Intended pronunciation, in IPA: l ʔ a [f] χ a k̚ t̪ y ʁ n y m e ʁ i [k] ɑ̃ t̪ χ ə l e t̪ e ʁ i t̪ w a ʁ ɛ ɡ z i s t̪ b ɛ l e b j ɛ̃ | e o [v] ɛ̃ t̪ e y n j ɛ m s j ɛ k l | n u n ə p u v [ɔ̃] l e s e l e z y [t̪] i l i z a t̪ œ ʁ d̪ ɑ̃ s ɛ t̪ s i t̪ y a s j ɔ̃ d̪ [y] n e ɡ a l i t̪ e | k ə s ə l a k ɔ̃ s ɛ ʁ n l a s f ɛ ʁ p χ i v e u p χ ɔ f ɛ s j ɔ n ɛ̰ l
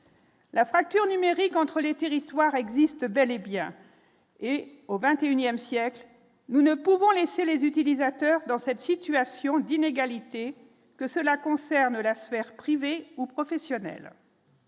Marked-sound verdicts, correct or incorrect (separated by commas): correct, correct, correct, correct, correct, incorrect